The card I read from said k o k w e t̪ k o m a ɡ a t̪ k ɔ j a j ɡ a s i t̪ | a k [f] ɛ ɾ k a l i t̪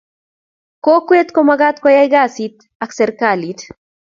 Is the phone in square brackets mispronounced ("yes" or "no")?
yes